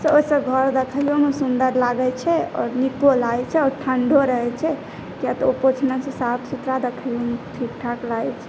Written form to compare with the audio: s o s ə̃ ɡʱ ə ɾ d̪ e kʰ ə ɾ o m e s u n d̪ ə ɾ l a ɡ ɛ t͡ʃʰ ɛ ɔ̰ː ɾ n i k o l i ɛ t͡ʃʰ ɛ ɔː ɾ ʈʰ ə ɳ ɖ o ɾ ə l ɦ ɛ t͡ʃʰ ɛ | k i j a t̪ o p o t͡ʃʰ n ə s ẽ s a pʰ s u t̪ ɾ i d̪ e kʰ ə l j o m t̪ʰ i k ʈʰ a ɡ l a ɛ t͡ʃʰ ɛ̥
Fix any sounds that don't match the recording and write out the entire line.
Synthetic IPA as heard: s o s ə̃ ɡʱ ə ɾ d̪ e kʰ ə l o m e s u n d̪ ə ɾ l a ɡ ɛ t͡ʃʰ ɛ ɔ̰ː ɾ n i k o l a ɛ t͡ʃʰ ɛ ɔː ɾ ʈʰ ə ɳ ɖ o ɾ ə ɦ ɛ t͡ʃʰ ɛ | k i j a t̪ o p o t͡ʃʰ n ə s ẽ s a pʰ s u t̪ ɾ a d̪ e kʰ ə l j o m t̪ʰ i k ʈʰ a k l a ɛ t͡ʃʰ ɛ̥